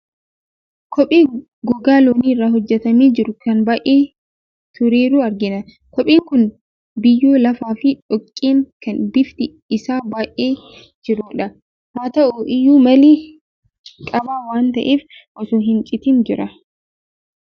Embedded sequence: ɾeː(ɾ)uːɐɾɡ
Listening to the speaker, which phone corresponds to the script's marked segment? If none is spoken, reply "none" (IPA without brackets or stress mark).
ɾ